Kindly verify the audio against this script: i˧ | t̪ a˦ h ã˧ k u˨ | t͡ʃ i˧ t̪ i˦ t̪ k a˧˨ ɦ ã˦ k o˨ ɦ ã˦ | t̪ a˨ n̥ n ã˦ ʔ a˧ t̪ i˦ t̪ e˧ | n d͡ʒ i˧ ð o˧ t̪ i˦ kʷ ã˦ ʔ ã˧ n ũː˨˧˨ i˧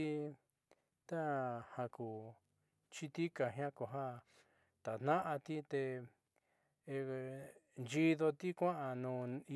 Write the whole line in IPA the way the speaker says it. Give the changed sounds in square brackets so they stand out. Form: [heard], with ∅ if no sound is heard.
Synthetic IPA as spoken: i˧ | t̪ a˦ h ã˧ k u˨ | t͡ʃ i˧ t̪ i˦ [∅] k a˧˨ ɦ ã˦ k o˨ ɦ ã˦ | t̪ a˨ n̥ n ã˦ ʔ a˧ t̪ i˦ t̪ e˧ | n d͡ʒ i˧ ð o˧ t̪ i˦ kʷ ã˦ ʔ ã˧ n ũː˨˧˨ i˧